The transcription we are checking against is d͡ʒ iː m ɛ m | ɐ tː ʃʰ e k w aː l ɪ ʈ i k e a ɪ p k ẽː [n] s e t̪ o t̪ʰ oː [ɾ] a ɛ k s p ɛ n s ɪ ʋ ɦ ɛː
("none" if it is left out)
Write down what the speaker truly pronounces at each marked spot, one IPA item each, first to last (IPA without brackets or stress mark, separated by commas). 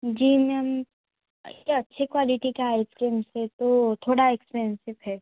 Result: m, ɽ